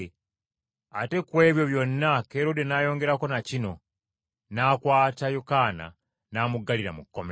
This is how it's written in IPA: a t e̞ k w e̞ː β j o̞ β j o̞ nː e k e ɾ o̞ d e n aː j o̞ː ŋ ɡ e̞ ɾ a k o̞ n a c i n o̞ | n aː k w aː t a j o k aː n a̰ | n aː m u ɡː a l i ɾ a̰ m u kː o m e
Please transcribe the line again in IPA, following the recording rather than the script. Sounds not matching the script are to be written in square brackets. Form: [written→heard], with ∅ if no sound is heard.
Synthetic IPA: a t e̞ k w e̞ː β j o̞ β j o̞ nː [e→a] k e ɾ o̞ d e n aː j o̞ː ŋ ɡ e̞ ɾ a k o̞ n a c i n o̞ | n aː k w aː t a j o k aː n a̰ | n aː m u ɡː a l i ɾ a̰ m u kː o m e